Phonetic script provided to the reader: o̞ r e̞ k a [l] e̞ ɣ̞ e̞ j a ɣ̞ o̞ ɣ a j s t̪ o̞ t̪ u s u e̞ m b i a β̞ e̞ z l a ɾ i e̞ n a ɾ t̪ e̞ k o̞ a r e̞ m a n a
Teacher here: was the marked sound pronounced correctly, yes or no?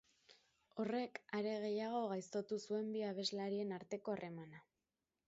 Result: no